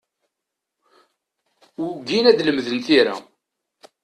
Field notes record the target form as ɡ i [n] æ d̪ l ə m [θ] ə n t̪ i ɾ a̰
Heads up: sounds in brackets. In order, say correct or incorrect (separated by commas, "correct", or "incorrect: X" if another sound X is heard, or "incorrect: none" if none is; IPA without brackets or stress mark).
correct, incorrect: ð